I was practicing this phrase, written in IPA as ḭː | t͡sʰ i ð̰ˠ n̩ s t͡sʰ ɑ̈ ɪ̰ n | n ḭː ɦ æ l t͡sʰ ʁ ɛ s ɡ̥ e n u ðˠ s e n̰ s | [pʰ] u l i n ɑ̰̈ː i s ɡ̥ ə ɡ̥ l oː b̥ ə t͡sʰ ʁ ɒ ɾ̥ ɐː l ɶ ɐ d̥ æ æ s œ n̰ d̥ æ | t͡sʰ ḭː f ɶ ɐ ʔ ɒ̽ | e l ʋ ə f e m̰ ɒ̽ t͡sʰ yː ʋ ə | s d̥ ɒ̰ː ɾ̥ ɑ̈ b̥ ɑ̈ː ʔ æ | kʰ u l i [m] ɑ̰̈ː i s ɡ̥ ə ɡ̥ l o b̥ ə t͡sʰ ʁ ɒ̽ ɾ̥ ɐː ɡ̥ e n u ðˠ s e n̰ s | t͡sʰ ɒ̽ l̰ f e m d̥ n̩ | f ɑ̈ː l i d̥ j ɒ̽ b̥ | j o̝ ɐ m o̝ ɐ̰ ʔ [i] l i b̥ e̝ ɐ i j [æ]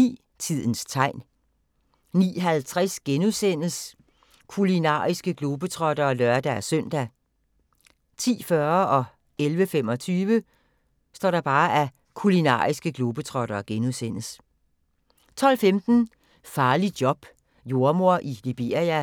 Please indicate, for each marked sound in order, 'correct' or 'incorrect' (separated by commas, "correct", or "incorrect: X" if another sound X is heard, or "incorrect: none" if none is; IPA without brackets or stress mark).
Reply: incorrect: kʰ, incorrect: n, correct, correct